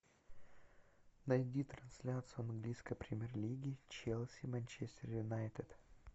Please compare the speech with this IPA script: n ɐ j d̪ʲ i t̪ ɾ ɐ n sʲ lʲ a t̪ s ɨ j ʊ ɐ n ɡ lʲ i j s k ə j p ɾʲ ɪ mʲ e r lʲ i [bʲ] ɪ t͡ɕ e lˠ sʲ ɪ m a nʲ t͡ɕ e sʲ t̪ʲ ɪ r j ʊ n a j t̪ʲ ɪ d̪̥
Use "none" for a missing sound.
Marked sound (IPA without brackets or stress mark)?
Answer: ɡʲ